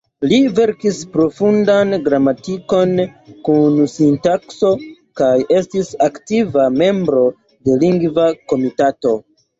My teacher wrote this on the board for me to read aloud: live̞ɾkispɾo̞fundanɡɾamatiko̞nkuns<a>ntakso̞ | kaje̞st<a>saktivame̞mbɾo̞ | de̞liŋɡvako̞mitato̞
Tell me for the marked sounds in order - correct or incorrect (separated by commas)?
incorrect, incorrect